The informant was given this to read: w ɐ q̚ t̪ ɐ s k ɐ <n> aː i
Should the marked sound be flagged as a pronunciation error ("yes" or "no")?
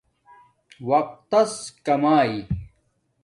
yes